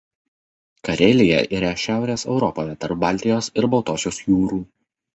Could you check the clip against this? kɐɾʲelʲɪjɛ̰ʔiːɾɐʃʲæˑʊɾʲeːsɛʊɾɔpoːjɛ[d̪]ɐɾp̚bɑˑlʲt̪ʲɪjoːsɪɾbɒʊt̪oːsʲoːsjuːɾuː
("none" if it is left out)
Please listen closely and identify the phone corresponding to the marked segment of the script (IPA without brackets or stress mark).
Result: t̪